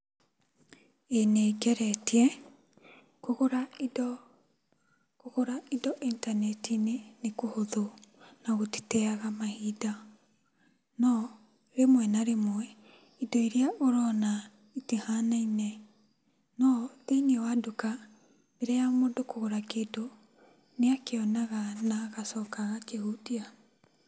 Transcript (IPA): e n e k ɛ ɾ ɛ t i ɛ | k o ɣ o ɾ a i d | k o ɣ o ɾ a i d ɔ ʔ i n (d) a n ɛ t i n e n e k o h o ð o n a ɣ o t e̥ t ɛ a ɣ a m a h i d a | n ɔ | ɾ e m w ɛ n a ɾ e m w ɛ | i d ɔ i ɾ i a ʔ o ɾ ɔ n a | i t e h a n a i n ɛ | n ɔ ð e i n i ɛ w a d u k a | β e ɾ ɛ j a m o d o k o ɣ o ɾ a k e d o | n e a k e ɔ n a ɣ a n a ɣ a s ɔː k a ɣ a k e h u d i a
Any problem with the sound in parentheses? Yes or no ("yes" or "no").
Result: yes